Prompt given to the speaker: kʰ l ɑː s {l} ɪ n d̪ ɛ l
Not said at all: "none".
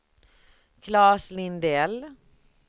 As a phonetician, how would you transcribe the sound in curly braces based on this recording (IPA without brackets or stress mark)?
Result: l